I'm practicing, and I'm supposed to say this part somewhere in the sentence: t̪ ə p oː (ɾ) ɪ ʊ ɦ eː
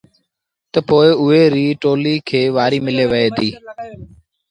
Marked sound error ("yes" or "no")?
yes